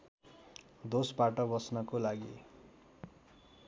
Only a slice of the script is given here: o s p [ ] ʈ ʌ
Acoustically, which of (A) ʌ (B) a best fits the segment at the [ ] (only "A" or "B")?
B